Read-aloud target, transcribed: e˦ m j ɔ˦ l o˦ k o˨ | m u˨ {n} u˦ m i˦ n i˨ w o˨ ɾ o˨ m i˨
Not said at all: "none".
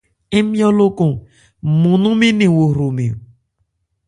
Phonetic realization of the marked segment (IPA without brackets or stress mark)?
n